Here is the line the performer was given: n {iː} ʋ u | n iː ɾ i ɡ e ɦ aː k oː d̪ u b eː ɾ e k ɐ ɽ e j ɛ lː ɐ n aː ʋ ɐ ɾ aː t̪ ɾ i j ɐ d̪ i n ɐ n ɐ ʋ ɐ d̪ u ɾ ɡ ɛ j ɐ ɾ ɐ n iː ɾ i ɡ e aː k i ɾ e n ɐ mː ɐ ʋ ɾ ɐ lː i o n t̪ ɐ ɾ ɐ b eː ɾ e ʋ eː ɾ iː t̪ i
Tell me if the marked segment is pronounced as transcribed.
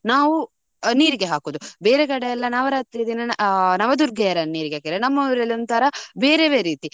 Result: no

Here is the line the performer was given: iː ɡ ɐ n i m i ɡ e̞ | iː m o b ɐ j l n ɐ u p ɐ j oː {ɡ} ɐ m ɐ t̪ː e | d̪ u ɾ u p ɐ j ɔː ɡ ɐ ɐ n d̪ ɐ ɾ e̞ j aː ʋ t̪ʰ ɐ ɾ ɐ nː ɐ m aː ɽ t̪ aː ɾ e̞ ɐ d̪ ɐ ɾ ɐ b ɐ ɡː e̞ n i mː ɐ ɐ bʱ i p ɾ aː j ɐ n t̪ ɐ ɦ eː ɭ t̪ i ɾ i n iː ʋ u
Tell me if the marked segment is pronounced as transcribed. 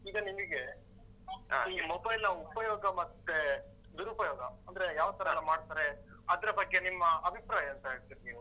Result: yes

